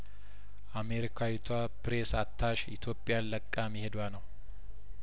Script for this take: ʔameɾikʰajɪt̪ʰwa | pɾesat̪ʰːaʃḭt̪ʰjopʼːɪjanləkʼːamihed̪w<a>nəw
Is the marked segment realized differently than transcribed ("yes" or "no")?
no